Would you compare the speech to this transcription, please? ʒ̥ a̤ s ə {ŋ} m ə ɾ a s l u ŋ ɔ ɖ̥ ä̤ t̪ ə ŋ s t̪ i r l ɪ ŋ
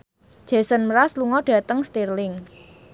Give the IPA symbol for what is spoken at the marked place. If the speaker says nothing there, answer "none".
n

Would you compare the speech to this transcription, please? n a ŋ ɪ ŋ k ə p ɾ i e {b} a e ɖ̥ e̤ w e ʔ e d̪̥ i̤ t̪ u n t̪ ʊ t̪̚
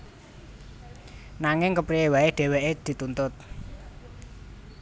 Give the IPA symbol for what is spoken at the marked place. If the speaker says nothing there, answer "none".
w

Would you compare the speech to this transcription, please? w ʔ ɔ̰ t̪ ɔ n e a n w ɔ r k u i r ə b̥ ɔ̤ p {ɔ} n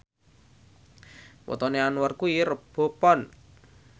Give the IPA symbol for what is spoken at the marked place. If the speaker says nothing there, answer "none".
ɔ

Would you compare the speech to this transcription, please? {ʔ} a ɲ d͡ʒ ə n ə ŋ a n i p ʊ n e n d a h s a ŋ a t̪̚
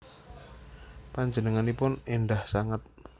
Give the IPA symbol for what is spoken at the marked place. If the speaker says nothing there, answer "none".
p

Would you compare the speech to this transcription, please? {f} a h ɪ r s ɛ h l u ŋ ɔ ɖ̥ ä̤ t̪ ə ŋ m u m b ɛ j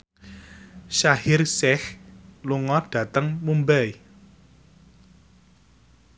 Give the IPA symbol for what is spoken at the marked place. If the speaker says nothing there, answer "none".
ʃ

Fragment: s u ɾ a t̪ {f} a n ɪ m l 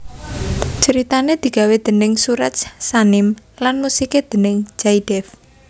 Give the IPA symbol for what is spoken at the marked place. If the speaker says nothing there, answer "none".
s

